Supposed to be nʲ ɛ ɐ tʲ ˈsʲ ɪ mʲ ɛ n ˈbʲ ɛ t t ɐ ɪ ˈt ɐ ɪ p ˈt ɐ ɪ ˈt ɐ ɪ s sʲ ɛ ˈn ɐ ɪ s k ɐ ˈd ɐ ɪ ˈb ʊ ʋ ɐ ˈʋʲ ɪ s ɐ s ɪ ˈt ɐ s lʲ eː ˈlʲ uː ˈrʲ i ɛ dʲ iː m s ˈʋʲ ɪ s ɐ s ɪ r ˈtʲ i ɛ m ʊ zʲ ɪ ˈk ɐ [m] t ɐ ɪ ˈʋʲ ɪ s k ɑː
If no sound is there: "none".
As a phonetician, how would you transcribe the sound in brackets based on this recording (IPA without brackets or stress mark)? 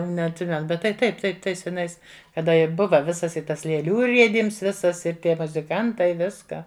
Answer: n